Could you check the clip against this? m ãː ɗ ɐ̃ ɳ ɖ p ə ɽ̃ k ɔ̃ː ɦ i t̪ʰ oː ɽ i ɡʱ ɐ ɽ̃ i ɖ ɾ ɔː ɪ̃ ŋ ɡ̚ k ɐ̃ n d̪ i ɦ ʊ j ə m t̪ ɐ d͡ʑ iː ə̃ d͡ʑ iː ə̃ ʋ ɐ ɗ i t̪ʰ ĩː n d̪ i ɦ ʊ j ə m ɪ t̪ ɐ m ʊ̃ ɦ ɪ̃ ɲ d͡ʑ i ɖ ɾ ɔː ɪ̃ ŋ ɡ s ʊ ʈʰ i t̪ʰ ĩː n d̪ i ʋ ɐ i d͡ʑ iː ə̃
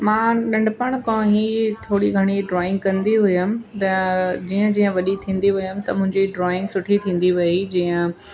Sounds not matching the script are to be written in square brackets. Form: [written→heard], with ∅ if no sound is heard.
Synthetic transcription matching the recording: m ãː ɗ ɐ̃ ɳ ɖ p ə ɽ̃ k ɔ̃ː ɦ i t̪ʰ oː ɽ i ɡʱ ɐ ɽ̃ i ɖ ɾ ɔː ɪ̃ ŋ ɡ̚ k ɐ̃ n d̪ i ɦ ʊ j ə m t̪ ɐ d͡ʑ iː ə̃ d͡ʑ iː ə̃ ʋ ɐ ɗ i t̪ʰ ĩː n d̪ i ɦ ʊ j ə m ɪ t̪ ɐ m ʊ̃ ɦ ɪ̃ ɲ d͡ʑ i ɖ ɾ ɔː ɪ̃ ŋ ɡ s ʊ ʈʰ i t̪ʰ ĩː n d̪ i ʋ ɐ i d͡ʑ iː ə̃